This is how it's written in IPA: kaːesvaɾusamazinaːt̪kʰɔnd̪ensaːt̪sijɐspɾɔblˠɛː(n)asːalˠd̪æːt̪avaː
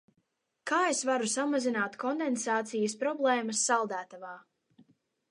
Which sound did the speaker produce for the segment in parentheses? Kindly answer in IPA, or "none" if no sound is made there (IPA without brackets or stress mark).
m